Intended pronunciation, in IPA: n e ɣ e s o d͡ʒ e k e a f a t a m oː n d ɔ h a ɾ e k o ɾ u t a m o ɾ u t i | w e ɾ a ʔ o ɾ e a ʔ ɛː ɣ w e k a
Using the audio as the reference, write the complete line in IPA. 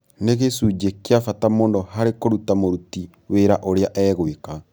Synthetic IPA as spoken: n e ɣ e s u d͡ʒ e k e a f a t a m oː n d ɔ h a ɾ e k o ɾ u t a m o ɾ u t i | w e ɾ a ʔ o ɾ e a ʔ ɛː ɣ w e k a